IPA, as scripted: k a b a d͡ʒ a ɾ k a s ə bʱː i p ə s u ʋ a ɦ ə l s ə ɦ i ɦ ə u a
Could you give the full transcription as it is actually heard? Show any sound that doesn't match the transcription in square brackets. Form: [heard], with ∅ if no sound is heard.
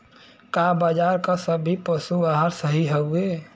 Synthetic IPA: k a b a d͡ʒ a ɾ k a s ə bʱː i p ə s u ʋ a ɦ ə [ɾ] s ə ɦ i ɦ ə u [e]